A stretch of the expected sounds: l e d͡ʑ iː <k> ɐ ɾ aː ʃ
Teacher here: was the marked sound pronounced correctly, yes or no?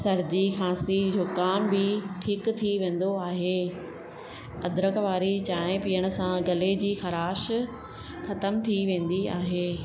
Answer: no